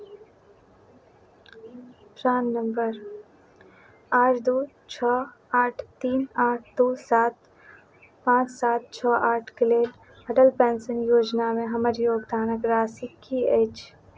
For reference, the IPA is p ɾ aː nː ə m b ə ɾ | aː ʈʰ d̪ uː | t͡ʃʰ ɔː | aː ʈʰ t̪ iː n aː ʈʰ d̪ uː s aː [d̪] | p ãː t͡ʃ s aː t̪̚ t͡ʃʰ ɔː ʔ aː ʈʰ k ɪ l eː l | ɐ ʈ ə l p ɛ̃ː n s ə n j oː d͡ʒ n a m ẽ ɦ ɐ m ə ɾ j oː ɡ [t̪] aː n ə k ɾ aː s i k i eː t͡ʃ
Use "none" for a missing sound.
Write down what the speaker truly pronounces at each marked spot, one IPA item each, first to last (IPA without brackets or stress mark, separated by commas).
t̪, d̪